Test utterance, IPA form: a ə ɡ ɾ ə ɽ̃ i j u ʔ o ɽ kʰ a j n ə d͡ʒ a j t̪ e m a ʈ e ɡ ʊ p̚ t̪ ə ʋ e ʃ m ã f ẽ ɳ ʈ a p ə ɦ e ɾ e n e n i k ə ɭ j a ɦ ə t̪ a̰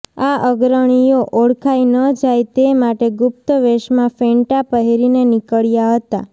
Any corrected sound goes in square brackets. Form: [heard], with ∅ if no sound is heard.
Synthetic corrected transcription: a ə ɡ ɾ ə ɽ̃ i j [o] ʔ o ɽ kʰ a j n ə d͡ʒ a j t̪ e m a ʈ e ɡ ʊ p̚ t̪ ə ʋ e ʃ m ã f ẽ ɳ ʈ a p ə ɦ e ɾ [i] n e n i k ə ɭ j a ɦ ə t̪ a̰